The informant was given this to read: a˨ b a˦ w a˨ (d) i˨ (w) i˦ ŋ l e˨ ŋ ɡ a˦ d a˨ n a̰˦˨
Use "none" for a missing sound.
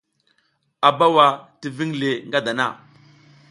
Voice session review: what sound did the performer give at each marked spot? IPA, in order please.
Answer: t, v

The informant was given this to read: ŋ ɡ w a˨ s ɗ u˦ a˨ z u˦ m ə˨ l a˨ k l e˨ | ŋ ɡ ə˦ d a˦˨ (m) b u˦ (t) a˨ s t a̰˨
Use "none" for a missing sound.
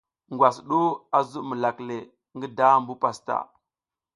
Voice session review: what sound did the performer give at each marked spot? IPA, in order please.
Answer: m, p

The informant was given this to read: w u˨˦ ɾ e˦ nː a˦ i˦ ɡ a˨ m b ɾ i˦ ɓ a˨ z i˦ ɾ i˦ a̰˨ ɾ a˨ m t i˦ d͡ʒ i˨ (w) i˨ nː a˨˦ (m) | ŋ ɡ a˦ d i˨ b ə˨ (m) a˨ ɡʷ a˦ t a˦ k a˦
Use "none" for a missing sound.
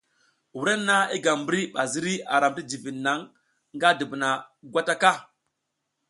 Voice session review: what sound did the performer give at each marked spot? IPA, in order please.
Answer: v, ŋ, n

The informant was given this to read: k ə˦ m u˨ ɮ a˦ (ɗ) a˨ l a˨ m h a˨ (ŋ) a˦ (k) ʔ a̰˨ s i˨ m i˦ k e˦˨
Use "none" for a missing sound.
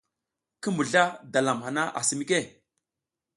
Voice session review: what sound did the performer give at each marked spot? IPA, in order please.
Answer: d, n, none

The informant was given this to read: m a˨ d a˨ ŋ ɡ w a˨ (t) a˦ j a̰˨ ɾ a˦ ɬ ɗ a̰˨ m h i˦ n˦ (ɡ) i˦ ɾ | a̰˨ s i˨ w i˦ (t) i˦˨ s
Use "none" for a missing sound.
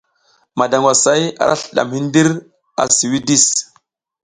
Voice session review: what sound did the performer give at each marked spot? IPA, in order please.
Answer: s, d, d

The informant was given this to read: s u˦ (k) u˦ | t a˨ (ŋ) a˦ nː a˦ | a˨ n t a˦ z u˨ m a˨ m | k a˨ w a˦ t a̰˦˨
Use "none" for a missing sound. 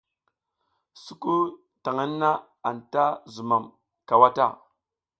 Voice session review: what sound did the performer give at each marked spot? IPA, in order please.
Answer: k, ŋ

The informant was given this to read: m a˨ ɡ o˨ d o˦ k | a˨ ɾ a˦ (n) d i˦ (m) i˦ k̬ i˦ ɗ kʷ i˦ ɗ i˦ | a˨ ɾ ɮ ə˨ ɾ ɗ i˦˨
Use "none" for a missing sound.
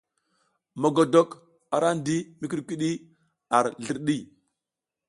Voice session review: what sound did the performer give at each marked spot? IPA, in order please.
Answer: n, m

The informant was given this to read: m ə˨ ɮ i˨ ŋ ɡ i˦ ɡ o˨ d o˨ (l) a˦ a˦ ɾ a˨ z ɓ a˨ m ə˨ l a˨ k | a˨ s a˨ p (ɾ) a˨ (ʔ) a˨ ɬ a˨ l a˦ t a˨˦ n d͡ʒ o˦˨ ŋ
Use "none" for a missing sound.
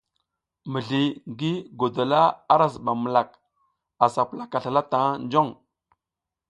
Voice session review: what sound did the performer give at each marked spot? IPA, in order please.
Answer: l, l, k

